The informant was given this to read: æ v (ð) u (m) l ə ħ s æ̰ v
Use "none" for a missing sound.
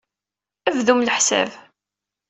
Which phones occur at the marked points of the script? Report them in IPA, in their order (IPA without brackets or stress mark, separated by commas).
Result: ð, m